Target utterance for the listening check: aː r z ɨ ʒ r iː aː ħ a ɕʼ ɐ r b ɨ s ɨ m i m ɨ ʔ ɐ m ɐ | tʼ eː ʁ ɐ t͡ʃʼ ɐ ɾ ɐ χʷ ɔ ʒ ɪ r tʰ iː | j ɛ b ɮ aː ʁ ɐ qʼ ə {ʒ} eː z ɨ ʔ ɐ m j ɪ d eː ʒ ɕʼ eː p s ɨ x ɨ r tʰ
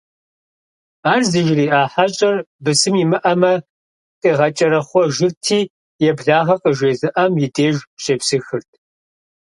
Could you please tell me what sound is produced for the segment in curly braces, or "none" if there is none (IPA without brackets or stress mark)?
ʒ